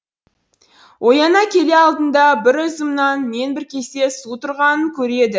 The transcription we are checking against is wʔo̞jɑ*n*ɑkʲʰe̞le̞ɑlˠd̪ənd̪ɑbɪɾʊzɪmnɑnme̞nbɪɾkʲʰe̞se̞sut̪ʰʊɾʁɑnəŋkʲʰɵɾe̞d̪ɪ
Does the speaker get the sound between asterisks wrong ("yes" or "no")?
no